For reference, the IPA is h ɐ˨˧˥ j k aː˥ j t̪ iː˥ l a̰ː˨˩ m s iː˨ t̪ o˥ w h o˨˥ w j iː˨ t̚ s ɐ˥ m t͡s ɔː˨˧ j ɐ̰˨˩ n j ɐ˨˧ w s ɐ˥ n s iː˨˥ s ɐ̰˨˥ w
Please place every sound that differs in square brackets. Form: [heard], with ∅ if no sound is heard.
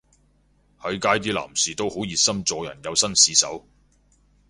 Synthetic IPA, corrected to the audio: h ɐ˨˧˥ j k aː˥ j t̪ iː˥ l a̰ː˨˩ m s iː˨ t̪ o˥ w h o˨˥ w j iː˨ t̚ s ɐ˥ m t͡s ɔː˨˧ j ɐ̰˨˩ n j ɐ˨˧ w s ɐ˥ n s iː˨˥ s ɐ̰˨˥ w